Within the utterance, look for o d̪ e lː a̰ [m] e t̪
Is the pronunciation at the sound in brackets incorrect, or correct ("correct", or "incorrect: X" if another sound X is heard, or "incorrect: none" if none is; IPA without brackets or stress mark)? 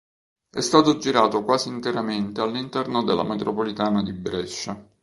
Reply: correct